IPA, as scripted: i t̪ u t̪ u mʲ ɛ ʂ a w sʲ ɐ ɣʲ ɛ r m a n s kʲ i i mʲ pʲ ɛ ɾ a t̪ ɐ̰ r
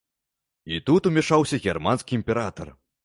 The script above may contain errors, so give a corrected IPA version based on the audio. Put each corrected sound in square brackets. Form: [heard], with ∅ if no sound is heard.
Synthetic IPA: i t̪ u t̪ u mʲ ɛ ʂ a w sʲ ɐ ɣʲ ɛ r m a n s kʲ i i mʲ pʲ ɛ ɾ a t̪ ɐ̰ r